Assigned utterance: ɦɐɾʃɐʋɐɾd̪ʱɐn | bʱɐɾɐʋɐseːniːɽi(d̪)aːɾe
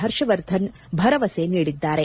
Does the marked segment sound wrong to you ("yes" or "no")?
yes